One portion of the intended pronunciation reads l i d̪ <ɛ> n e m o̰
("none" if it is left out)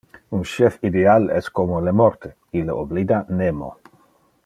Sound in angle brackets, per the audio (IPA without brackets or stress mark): a